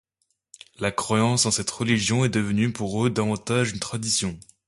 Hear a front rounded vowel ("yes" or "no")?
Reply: yes